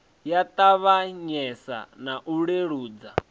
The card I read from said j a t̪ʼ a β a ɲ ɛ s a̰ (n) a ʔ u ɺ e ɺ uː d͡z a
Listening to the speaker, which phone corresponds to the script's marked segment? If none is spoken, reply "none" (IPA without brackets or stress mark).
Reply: n